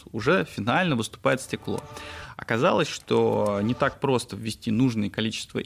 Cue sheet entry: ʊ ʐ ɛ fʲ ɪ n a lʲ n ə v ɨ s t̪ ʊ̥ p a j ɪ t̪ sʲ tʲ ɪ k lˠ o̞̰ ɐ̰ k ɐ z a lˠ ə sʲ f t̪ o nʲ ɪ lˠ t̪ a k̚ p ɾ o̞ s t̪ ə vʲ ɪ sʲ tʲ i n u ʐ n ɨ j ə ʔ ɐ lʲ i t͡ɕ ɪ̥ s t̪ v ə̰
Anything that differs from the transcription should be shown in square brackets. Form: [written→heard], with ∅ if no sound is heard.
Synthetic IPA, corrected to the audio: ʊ ʐ ɛ fʲ ɪ n a lʲ n ə v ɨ s t̪ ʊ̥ p a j ɪ t̪ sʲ tʲ ɪ k lˠ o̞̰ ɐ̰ k ɐ z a lˠ ə sʲ [f→ʂ] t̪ o nʲ ɪ [lˠ→∅] t̪ a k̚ p ɾ o̞ s t̪ ə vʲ ɪ sʲ tʲ i n u ʐ n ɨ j ə [ʔ→k] ɐ lʲ i t͡ɕ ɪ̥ s t̪ v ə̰